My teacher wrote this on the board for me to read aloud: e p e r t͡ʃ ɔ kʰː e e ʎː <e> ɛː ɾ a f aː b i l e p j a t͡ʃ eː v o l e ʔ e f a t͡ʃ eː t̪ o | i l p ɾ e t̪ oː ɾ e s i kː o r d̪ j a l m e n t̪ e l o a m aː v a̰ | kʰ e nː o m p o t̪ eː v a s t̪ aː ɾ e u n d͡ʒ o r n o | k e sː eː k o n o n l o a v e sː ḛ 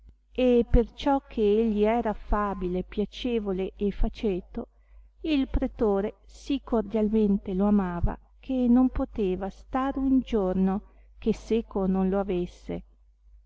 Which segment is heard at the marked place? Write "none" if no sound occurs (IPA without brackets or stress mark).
i